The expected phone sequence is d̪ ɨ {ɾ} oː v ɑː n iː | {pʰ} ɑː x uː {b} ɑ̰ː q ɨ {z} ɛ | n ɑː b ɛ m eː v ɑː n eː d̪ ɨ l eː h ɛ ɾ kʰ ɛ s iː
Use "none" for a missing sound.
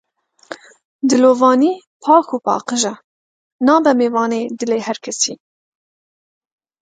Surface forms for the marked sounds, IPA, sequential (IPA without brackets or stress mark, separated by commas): l, pʰ, p, ʒ